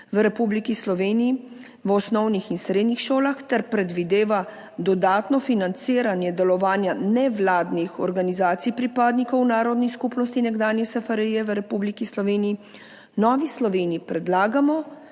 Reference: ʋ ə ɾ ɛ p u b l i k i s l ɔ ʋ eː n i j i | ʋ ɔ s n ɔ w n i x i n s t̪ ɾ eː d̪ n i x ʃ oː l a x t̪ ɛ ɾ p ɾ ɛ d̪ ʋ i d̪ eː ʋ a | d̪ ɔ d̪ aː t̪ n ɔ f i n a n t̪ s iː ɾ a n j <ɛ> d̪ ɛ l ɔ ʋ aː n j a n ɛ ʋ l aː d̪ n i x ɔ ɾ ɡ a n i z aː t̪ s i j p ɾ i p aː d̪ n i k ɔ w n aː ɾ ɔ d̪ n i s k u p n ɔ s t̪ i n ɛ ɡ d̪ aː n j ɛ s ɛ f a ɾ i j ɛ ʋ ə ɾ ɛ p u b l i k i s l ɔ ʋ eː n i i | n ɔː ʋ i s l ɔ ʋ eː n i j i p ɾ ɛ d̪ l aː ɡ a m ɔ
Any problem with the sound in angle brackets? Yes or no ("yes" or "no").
no